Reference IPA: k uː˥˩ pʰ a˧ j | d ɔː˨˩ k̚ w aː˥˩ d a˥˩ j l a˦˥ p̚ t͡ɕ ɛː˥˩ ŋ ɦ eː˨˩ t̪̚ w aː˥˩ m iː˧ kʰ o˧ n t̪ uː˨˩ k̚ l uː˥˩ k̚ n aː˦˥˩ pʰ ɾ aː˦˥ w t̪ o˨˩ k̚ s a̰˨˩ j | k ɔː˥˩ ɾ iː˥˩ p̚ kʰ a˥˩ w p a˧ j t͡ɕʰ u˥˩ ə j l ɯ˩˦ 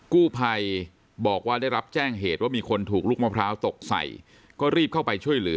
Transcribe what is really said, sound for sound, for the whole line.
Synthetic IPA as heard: k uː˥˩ pʰ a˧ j | b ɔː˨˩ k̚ w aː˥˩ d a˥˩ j ɾ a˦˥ p̚ t͡ɕ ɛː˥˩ ŋ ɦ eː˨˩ t̪̚ w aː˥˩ m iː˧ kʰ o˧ n t̪ʰ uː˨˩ k̚ l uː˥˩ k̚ m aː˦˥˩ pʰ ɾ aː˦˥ w t̪ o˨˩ k̚ s a̰˨˩ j | k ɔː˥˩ ɾ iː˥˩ p̚ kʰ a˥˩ w p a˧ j t͡ɕʰ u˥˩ ə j l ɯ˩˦